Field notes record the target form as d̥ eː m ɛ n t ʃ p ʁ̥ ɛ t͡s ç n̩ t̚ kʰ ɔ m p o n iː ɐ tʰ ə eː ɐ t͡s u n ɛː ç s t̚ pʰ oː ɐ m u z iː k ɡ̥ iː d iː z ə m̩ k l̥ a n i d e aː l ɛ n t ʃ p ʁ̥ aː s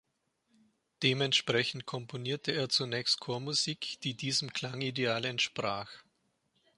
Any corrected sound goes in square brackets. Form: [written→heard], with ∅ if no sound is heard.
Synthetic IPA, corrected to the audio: d̥ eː m ɛ n t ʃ p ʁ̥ ɛ [t͡s→∅] ç n̩ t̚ kʰ ɔ m p o n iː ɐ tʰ ə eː ɐ t͡s u n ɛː ç s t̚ [pʰ→kʰ] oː ɐ m u z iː k [ɡ̥→d̥] iː d iː z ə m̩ k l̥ a [n→ŋ] i d e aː l ɛ n t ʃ p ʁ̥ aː [s→x]